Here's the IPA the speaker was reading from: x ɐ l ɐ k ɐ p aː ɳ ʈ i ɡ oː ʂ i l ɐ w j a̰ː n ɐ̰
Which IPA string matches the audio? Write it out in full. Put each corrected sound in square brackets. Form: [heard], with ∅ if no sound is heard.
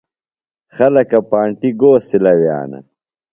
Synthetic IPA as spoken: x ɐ l ɐ k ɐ p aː ɳ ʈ i ɡ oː [s] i l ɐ w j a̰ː n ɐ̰